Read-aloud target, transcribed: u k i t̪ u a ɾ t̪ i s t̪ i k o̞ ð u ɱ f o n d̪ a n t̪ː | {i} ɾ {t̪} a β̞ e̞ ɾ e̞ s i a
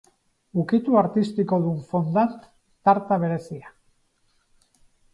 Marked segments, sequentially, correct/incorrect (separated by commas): incorrect, correct